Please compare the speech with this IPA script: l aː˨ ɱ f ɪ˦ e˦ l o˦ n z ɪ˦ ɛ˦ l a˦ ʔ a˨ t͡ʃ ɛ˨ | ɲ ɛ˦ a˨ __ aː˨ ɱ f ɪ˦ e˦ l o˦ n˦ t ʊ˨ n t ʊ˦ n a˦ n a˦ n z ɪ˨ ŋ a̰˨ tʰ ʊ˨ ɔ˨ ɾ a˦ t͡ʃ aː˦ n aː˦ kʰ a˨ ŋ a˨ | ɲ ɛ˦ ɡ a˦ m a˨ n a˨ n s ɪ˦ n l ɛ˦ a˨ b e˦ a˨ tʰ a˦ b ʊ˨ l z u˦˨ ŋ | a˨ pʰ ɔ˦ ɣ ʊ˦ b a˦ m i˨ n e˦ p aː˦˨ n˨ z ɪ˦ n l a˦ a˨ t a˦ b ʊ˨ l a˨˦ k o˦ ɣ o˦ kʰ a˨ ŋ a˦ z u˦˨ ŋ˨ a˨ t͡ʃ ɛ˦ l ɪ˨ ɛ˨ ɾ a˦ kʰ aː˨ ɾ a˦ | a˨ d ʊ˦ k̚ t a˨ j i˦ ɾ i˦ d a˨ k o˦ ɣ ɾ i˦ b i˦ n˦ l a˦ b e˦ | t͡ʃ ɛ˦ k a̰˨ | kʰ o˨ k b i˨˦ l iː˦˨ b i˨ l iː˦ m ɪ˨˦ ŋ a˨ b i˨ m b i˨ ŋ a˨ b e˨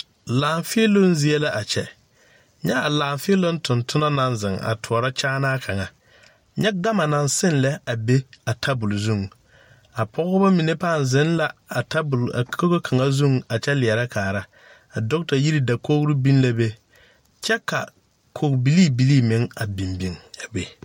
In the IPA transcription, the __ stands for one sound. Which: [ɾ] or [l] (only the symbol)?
l